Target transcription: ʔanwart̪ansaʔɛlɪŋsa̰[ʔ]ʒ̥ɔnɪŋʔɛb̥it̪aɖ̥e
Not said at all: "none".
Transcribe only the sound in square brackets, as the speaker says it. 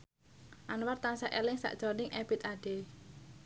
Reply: ʔ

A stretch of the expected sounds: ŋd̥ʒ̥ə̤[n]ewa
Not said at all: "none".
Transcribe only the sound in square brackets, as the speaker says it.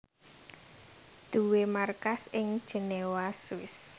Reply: n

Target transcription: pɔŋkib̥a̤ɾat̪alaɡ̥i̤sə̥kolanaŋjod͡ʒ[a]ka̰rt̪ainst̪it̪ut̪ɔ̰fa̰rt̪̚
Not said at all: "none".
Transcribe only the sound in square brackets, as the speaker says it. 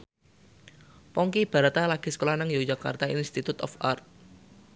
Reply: a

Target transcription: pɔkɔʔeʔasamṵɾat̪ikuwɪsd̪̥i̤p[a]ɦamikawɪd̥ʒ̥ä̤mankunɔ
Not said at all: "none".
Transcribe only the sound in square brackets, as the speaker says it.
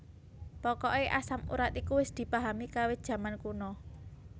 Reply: a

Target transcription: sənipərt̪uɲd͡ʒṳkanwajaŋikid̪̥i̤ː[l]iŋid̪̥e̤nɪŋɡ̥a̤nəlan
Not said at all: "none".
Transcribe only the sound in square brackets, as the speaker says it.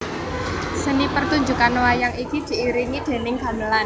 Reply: ɾ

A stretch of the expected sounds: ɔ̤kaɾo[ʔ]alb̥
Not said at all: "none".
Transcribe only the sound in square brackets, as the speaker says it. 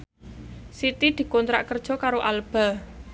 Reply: ʔ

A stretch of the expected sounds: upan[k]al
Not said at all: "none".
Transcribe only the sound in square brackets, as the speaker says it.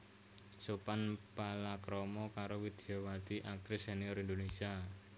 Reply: p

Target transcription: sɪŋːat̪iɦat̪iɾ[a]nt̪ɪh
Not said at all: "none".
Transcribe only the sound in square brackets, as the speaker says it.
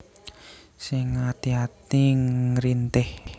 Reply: i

